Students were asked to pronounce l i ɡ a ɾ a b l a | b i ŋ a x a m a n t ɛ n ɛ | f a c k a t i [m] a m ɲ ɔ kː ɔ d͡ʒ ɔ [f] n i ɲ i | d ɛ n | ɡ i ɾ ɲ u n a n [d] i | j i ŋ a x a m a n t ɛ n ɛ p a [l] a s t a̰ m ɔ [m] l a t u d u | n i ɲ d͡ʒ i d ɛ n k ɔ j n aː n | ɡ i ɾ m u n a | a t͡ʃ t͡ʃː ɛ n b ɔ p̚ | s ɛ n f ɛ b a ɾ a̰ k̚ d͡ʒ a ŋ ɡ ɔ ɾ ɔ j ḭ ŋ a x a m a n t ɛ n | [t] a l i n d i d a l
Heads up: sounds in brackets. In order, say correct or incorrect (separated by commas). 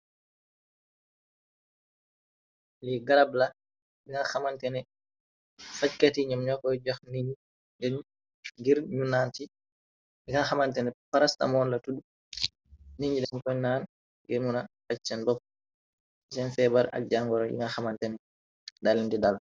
incorrect, incorrect, incorrect, incorrect, incorrect, incorrect